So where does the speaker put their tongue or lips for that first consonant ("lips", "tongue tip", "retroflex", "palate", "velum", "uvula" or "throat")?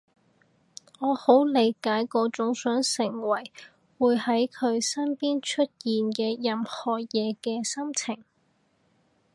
throat